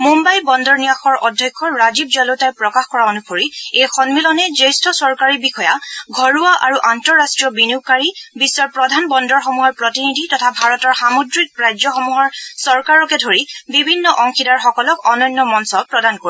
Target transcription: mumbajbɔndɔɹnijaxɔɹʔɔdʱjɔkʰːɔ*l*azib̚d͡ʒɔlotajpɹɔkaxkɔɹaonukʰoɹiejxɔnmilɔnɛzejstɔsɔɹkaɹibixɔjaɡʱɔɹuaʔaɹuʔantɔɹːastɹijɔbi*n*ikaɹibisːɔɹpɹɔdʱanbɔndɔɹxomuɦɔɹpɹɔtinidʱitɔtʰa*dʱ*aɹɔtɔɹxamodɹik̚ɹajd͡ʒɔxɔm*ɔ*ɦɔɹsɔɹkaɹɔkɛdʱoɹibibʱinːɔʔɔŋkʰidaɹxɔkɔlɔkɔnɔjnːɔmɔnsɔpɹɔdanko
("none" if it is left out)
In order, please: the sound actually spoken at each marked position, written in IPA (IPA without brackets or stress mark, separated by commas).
ɹ, n, bʱ, u